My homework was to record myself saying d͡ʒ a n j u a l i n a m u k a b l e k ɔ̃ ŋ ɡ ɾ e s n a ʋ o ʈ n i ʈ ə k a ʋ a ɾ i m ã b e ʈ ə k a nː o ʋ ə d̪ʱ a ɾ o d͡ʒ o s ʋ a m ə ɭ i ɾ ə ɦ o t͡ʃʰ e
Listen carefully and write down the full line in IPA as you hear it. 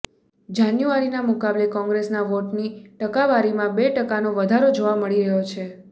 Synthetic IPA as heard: d͡ʒ a n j u a ɾ i n a m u k a b l e k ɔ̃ ŋ ɡ ɾ e s n a ʋ o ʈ n i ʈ ə k a ʋ a ɾ i m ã b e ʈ ə k a n o ʋ ə d̪ʱ a ɾ o d͡ʒ o ʋ a m ə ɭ i ɾ ə ɦ o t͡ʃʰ e